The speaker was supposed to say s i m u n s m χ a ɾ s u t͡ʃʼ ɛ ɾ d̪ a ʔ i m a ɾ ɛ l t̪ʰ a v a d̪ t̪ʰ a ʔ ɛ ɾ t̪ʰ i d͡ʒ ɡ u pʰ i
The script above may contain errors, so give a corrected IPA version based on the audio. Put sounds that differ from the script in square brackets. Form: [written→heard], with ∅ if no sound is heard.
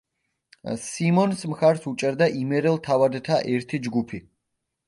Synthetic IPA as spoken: s i m [u→ɔ] n s m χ a ɾ s u t͡ʃʼ ɛ ɾ d̪ a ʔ i m [a→ɛ] ɾ ɛ l t̪ʰ a v a d̪ t̪ʰ a ʔ ɛ ɾ t̪ʰ i d͡ʒ ɡ u pʰ i